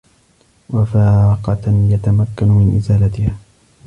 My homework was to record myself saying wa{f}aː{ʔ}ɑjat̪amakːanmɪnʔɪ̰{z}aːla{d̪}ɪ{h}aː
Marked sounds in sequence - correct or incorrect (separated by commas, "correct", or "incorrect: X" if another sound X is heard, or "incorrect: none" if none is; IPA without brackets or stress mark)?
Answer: correct, incorrect: q, correct, incorrect: t̪, correct